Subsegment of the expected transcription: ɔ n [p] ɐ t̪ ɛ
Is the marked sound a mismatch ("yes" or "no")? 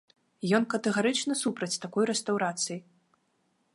yes